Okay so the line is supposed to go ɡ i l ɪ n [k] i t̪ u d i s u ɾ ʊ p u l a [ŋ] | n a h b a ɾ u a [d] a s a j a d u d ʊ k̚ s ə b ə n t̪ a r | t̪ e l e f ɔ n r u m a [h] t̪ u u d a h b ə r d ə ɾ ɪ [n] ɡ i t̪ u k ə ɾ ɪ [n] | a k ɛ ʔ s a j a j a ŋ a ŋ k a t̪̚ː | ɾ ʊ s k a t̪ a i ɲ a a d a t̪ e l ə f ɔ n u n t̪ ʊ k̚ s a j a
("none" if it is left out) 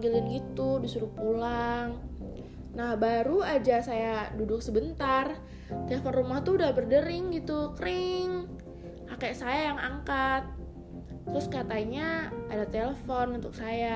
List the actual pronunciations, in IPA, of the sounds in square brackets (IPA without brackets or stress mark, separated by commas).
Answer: ɡ, ŋ, d͡ʒ, h, ŋ, ŋ